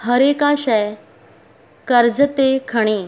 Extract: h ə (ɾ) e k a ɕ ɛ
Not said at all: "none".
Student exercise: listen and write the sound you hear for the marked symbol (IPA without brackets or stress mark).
ɾ